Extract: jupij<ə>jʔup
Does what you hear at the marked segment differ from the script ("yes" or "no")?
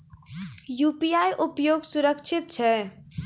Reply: yes